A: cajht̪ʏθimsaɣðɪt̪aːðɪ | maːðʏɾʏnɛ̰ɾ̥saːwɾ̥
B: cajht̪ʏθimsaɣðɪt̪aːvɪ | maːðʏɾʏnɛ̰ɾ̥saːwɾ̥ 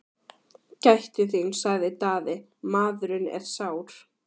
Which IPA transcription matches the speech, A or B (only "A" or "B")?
A